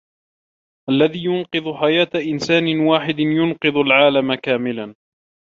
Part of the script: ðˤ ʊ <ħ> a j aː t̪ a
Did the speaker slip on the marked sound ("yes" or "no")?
no